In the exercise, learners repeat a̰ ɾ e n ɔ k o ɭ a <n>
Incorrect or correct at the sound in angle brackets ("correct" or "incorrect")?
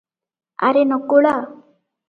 incorrect